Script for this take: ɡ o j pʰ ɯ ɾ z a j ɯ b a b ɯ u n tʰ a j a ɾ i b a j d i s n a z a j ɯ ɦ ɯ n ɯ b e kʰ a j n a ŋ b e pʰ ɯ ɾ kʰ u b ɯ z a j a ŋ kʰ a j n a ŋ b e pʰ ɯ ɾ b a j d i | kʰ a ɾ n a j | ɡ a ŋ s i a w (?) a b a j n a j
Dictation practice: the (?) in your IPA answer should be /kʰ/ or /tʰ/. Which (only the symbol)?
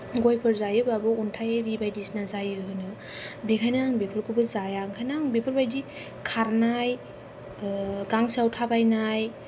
tʰ